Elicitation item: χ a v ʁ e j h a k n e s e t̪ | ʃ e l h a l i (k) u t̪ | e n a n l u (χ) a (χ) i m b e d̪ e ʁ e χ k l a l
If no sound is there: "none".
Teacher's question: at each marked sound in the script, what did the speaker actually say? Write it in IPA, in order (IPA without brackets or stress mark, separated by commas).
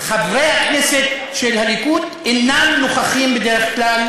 k, χ, χ